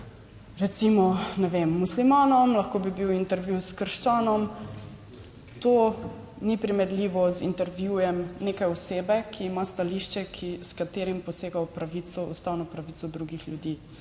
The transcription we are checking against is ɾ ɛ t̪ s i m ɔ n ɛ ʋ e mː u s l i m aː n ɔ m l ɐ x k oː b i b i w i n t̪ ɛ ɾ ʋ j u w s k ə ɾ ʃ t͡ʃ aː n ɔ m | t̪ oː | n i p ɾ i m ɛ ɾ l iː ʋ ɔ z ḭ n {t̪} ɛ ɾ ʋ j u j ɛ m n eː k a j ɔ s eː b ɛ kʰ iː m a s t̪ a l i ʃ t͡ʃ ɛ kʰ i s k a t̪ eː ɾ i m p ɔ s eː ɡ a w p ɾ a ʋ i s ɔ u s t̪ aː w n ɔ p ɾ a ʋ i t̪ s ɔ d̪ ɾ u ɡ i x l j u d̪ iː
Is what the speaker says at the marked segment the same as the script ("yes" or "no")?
yes